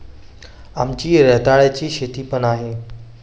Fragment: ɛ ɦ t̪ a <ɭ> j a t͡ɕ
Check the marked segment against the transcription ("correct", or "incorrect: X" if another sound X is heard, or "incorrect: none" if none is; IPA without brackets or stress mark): correct